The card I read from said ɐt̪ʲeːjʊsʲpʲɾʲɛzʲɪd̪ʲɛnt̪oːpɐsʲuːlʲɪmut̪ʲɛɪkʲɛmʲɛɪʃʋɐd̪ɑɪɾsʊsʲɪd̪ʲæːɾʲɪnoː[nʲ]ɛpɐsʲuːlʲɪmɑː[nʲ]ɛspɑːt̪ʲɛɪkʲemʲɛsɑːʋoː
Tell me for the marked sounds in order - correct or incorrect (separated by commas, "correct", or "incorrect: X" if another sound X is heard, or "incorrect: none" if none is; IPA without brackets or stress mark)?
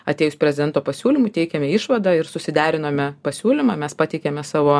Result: incorrect: mʲ, incorrect: mʲ